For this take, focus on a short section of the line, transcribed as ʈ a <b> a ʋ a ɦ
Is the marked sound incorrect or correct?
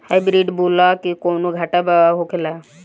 correct